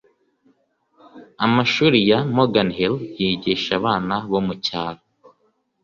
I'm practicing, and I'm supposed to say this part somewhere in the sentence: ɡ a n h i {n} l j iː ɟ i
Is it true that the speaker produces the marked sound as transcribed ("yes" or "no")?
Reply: no